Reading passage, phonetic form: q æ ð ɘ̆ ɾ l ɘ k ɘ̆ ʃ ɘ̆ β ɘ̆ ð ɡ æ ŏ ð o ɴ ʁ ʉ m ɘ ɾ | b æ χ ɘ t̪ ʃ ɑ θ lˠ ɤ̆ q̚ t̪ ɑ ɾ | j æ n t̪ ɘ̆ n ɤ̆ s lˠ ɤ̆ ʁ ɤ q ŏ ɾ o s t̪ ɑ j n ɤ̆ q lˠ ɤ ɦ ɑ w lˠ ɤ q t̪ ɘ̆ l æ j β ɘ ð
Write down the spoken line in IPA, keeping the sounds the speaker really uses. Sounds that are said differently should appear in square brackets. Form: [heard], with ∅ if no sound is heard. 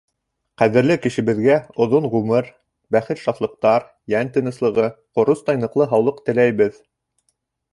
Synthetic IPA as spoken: q æ ð ɘ̆ ɾ l ɘ k ɘ̆ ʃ ɘ̆ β ɘ̆ ð ɡ æ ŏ ð o ɴ ʁ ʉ m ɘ ɾ | b æ χ ɘ t̪ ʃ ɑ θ lˠ ɤ̆ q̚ t̪ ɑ ɾ | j æ n t̪ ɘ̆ n ɤ̆ s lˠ ɤ̆ ʁ ɤ q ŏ ɾ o s t̪ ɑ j n ɤ̆ q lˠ ɤ ɦ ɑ w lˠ ɤ q t̪ ɘ̆ l æ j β ɘ ð